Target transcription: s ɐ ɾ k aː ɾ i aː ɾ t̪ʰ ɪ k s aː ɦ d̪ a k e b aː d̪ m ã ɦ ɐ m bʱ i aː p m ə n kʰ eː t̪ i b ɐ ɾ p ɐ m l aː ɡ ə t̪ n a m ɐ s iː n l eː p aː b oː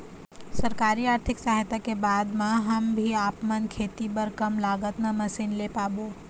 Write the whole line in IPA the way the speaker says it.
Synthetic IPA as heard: s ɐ ɾ k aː ɾ i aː ɾ t̪ʰ ɪ k s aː ɦ t̪ a k e b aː d̪ m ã ɦ ɐ m bʱ i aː p m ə n kʰ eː t̪ i b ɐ ɾ k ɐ m l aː ɡ ə t̪ n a m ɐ s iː n l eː p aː b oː